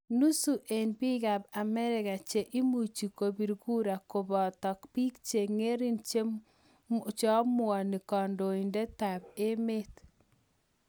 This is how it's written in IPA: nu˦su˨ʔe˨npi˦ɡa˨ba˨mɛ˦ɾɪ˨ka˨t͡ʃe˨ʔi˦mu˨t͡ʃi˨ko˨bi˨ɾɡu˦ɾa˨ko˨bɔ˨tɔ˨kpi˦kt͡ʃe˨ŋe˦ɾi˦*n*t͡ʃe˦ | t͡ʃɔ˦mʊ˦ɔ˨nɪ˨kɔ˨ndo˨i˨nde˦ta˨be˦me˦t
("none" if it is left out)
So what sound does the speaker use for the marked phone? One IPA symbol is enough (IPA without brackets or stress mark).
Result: n